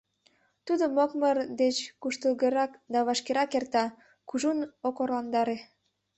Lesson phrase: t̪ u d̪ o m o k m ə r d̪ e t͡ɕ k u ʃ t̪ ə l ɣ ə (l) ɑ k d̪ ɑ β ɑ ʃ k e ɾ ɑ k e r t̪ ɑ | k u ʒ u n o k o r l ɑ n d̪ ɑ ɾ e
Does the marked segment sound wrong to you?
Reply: yes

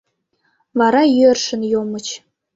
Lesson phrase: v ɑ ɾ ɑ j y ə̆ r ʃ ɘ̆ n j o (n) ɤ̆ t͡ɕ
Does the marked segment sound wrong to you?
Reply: yes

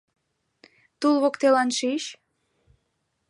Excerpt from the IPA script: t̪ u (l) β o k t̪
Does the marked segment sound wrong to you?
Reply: no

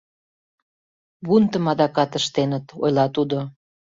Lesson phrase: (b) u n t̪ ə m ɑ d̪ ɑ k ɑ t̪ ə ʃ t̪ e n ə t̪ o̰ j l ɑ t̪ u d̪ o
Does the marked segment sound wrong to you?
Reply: yes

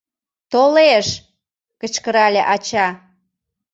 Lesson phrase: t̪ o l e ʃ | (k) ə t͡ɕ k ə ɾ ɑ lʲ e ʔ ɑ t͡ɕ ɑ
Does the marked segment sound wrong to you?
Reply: no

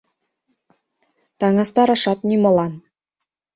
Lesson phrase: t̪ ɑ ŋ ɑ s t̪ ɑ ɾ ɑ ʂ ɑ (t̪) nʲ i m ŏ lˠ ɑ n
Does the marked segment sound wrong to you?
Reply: no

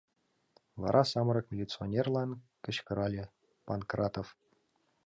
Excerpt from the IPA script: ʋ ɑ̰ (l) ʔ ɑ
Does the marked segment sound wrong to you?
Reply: yes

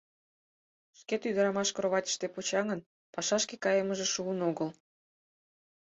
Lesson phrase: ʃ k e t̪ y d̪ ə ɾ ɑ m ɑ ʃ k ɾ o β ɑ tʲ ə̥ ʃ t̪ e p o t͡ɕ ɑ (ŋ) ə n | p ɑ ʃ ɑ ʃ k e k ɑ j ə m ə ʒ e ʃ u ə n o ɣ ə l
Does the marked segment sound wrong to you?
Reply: no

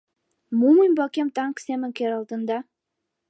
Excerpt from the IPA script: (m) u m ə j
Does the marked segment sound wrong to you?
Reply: no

